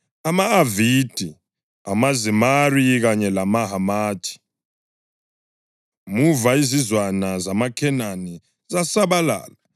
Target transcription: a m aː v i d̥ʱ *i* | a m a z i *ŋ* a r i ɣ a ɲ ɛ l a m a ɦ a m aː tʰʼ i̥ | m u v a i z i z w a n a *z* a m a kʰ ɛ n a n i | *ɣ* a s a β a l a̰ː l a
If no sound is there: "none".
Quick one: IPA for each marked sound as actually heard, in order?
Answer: i, m, z, z

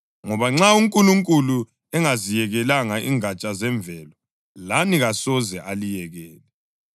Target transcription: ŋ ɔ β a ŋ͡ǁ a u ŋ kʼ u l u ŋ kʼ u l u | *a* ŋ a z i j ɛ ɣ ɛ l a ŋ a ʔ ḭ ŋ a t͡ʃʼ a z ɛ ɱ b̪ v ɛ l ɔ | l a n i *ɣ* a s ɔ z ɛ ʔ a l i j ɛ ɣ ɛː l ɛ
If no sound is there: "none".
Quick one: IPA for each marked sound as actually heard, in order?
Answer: ɛ, ɣ

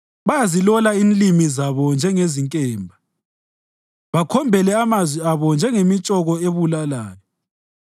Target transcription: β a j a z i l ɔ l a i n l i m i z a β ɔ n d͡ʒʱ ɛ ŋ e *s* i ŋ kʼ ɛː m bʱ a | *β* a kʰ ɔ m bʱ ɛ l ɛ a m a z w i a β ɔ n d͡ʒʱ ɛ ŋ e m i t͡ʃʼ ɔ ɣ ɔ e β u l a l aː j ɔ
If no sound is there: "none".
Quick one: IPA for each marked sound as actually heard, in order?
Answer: z, β

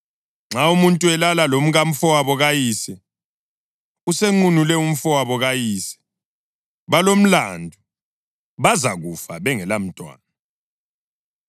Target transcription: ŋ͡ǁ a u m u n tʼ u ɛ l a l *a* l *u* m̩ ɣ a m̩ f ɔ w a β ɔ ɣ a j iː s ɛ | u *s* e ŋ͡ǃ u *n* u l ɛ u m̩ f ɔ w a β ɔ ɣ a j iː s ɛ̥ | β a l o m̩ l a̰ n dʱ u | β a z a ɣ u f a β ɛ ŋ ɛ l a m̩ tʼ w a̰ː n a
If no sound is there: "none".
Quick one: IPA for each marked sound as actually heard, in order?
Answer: a, o, s, n

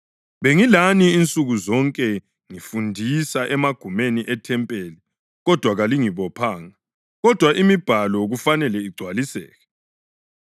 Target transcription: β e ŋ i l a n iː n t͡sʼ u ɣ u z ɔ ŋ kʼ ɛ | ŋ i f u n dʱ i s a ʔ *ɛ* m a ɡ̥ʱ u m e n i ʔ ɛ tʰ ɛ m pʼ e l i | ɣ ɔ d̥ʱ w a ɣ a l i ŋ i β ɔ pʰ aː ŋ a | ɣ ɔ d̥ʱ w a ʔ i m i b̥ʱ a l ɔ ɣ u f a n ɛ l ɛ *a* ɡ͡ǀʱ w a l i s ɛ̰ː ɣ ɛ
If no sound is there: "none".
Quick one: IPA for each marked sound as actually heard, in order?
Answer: ɛ, i

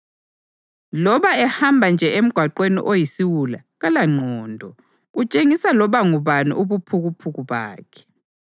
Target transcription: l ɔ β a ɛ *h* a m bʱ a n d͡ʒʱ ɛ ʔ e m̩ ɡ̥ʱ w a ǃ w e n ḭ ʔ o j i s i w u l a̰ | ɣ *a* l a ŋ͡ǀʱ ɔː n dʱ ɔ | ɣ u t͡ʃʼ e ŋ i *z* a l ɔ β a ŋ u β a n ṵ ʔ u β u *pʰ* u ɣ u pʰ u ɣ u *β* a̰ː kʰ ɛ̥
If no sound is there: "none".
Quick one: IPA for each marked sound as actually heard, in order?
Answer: h, a, s, pʰ, β

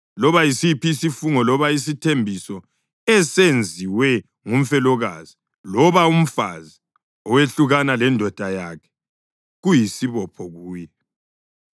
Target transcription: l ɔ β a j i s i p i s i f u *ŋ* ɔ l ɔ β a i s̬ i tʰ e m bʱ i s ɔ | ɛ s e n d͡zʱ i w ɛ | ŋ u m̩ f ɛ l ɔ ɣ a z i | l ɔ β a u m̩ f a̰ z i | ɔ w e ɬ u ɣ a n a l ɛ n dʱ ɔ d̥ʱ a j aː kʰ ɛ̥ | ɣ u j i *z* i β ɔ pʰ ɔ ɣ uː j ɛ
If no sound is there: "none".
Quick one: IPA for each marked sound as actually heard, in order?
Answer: ŋ, s

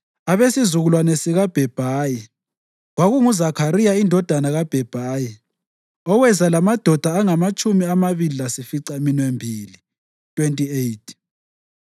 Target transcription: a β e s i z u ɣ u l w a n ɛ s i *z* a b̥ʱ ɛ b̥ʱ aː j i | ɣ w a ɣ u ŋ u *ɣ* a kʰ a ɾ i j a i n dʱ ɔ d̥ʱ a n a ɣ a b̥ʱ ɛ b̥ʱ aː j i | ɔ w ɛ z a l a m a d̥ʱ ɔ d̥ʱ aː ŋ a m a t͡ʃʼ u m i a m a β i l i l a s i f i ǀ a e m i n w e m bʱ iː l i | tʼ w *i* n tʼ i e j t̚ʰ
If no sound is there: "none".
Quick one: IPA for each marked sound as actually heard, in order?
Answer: ɣ, z, e

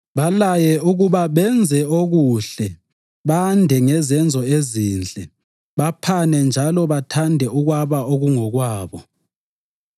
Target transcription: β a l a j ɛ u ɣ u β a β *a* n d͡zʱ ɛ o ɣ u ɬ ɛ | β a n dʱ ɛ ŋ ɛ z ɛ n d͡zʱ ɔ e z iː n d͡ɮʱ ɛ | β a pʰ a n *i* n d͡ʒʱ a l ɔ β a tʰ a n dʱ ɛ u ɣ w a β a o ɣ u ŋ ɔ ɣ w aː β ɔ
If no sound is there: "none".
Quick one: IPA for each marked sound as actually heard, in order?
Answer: ɛ, ɛ

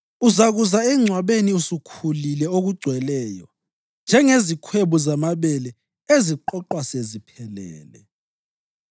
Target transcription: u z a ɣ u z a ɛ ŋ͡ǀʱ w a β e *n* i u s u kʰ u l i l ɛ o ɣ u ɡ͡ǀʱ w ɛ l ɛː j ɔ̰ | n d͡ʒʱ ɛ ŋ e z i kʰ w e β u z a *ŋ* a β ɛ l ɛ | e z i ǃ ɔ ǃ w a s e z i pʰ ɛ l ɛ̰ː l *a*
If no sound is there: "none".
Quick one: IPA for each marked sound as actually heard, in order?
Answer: n, m, ɛ

